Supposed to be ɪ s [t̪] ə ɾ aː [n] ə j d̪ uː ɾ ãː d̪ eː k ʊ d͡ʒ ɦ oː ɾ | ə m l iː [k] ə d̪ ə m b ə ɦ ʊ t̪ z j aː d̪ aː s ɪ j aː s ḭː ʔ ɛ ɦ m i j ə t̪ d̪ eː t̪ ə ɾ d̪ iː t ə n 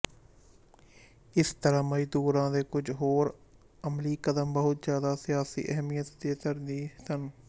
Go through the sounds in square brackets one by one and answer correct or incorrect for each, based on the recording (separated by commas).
correct, incorrect, correct